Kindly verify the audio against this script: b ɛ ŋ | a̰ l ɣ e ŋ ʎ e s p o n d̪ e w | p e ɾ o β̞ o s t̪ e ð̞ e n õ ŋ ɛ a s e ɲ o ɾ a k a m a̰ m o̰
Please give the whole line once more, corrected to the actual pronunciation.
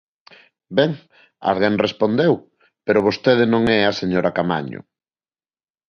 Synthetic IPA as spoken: b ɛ ŋ | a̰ l ɣ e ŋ r e s p o n d̪ e w | p e ɾ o β̞ o s t̪ e ð̞ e n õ ŋ ɛ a s e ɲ o ɾ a k a m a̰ ɲ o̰